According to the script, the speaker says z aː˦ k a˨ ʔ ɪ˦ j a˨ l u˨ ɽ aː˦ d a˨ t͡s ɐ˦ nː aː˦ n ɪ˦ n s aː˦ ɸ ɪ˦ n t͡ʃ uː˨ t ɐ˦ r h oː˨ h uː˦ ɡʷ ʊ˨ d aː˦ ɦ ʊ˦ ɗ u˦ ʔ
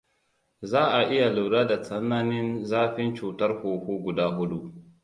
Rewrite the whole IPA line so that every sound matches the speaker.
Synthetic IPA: z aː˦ ʔ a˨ ʔ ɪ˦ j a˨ l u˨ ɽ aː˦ d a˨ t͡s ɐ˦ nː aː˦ n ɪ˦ n z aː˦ ɸ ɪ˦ n t͡ʃ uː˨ t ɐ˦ r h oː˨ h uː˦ ɡʷ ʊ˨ d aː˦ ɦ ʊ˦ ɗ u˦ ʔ